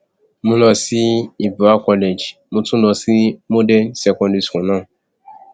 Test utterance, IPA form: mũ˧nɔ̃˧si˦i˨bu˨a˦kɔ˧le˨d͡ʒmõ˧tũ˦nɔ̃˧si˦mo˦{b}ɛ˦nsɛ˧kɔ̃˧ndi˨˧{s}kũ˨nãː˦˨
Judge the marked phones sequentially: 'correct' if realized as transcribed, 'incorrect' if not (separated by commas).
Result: incorrect, correct